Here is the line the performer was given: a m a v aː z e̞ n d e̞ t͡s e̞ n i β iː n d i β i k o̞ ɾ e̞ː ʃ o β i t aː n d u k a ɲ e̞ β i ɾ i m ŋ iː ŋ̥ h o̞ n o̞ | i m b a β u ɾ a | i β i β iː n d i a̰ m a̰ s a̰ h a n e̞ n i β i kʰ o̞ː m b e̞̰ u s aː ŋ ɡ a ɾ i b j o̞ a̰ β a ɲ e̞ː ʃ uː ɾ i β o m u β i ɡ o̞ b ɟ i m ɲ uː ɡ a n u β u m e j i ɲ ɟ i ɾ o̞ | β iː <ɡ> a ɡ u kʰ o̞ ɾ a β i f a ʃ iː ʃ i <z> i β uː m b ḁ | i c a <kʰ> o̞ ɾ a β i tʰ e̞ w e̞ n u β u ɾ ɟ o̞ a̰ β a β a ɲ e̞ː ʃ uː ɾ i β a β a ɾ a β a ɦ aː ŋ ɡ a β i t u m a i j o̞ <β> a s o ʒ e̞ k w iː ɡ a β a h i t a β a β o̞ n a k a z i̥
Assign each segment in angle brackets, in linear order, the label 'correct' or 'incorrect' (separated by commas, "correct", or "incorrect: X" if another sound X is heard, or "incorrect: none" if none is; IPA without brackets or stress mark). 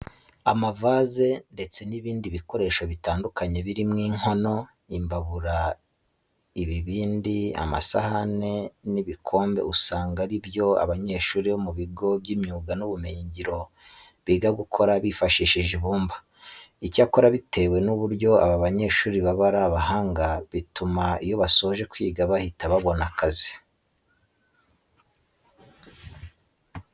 correct, incorrect: ʒ, incorrect: k, correct